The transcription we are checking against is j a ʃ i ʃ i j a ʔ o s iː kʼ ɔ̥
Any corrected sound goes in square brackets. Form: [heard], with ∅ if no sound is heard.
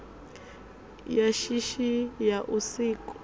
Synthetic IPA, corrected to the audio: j a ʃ i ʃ i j a ʔ [u] s iː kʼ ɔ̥